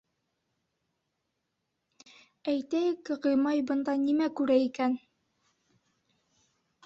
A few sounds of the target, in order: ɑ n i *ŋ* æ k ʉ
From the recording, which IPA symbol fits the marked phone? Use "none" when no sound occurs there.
m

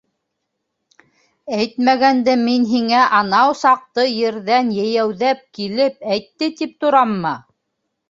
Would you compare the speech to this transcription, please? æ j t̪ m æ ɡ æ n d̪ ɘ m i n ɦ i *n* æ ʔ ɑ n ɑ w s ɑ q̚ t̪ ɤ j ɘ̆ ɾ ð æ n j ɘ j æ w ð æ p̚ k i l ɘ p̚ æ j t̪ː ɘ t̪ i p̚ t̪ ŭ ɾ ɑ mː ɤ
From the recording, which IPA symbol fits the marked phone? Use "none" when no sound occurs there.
ŋ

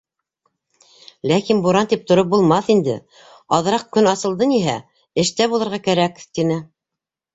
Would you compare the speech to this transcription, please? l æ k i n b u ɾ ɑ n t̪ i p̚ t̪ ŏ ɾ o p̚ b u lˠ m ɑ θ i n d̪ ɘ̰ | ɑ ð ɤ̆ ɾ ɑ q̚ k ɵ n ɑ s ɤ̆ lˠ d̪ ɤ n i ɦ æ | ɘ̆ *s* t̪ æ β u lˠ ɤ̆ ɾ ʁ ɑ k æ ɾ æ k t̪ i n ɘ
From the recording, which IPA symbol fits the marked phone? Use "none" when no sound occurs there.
ʃ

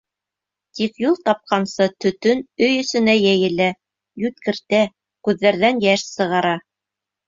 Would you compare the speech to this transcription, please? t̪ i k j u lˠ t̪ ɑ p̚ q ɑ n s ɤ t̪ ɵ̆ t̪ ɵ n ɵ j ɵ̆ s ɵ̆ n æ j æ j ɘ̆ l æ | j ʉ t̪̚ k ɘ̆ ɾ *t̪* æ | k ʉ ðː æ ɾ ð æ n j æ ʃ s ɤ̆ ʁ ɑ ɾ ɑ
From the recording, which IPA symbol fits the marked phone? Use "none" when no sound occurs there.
t̪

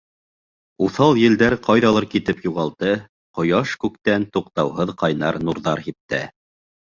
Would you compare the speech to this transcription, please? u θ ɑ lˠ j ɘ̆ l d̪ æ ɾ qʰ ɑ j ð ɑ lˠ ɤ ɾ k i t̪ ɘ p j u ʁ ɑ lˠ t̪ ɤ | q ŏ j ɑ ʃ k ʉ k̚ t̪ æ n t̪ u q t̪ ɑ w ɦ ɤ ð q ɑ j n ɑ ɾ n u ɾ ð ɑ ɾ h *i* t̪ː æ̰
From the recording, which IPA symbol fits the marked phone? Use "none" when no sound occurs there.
i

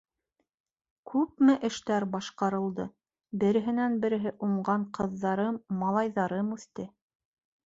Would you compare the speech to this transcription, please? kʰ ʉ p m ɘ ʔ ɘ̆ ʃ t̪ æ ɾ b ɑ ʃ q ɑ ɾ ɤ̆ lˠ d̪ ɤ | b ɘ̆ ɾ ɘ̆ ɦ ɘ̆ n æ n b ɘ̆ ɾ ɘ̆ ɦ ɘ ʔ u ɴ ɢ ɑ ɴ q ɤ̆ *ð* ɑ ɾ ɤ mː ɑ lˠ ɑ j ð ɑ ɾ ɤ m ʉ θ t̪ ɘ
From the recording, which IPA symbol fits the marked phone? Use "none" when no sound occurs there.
ðː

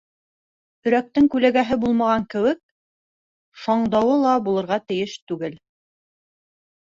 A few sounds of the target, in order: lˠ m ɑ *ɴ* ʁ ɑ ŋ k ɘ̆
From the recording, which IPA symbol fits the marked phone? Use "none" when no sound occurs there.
none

